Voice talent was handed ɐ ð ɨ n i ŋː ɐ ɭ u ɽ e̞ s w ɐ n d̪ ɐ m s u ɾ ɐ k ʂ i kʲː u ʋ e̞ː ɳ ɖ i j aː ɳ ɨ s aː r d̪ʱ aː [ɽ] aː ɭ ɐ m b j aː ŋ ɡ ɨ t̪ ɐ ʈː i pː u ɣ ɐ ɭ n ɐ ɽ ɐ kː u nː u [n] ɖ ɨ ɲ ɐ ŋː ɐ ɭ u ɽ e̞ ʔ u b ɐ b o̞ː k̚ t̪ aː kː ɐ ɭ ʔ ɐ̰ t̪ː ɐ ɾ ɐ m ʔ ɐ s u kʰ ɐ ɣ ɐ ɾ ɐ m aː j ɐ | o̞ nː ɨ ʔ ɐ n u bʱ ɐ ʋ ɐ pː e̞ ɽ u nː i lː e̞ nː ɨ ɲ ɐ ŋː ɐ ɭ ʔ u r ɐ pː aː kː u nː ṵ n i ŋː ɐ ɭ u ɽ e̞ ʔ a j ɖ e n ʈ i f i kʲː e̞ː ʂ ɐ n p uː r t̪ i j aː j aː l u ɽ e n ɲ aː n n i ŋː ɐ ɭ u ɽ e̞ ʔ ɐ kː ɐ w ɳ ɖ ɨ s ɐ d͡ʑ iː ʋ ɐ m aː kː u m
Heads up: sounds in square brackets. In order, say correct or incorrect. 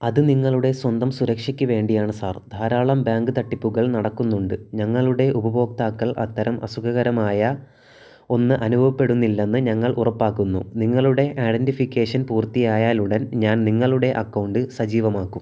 incorrect: ɾ, incorrect: ɳ

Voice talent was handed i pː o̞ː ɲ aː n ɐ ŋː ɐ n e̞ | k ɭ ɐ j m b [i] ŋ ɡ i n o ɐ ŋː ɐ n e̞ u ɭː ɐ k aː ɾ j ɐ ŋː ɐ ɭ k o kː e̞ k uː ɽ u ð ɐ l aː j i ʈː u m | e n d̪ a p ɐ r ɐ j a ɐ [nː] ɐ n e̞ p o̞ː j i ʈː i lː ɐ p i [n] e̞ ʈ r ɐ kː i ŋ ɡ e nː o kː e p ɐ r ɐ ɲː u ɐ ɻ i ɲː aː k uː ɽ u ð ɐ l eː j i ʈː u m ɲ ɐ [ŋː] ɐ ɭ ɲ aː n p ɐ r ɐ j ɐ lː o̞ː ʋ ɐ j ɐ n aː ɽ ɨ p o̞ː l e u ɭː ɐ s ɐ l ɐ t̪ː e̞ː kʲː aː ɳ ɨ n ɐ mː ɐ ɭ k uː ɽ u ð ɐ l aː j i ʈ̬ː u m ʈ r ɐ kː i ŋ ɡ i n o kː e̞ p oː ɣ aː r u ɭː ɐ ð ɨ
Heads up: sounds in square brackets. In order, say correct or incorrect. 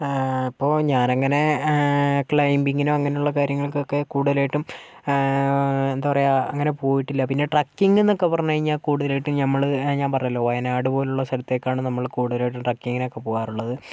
correct, incorrect: ŋː, incorrect: nː, incorrect: mː

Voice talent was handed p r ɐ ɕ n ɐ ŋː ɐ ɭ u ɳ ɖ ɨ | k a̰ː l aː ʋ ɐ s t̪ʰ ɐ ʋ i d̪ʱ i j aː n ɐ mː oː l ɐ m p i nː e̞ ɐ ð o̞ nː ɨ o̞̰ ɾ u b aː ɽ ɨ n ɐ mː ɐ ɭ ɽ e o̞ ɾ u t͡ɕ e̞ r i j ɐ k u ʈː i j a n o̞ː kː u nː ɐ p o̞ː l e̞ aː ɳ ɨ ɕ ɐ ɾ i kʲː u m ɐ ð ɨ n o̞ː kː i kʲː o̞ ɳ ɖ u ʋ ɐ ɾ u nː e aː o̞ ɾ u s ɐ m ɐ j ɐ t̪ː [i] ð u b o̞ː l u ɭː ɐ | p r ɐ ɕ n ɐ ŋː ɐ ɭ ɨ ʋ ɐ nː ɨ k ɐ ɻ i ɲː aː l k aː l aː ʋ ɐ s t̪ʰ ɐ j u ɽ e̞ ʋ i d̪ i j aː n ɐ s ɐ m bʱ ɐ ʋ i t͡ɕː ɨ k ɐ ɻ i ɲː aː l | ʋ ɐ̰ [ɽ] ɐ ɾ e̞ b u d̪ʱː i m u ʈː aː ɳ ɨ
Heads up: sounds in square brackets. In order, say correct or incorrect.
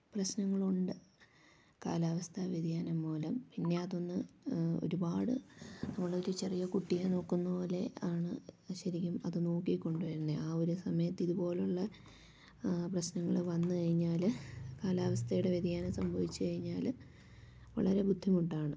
correct, incorrect: ɭ

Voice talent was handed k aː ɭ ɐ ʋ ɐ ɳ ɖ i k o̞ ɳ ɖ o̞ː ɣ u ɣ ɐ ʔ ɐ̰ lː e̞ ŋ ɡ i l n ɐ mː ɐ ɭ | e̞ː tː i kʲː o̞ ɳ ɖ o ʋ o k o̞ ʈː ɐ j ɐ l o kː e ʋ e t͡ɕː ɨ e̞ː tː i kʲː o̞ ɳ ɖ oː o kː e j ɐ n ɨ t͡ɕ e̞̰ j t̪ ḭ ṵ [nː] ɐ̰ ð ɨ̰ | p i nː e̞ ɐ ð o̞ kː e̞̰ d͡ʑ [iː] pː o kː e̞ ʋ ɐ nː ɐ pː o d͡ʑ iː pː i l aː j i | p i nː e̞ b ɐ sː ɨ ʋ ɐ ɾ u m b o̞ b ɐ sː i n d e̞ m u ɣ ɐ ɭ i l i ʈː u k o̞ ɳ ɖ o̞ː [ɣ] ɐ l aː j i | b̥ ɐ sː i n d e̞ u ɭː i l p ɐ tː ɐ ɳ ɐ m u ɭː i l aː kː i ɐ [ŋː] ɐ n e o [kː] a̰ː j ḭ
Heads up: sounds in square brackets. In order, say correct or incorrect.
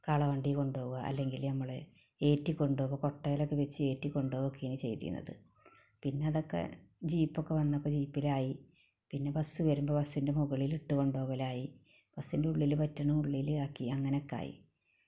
correct, correct, correct, correct, correct

